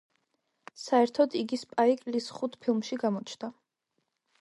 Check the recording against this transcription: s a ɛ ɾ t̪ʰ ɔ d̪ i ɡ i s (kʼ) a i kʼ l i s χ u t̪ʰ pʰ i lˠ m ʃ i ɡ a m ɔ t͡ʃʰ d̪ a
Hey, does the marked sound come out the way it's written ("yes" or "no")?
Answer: no